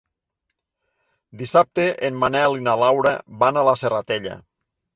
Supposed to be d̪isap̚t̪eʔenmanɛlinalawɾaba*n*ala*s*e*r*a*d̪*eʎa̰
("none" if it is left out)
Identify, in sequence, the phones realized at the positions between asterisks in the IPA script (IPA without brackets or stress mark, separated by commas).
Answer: n, s, r, t̪